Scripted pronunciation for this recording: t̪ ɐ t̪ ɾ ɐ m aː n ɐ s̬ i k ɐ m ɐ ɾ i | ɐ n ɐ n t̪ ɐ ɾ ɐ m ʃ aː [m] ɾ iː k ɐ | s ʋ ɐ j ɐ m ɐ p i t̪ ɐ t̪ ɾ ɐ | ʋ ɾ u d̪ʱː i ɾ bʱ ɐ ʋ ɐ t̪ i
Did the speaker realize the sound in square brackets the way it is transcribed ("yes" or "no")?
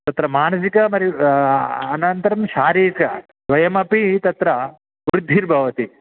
no